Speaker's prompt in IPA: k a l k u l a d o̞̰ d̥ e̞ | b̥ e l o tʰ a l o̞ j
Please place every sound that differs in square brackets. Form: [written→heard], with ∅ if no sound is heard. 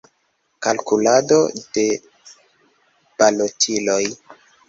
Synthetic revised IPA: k a l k u l a d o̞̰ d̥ e̞ | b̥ [e→a] l o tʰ [a→i] l o̞ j